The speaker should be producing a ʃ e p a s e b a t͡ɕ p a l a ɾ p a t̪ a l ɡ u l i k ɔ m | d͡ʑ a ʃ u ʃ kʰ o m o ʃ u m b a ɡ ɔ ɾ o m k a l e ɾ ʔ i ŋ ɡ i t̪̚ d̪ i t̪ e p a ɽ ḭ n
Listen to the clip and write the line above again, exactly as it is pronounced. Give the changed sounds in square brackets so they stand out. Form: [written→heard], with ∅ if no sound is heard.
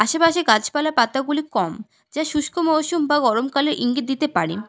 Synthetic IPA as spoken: a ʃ e p a [s→ʃ] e [b→ɡ] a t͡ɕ p a l a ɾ p a t̪ a [l→∅] ɡ u l i k ɔ m | d͡ʑ a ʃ u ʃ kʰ o m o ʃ u m b a ɡ ɔ ɾ o m k a l e ɾ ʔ i ŋ ɡ i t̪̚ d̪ i t̪ e p a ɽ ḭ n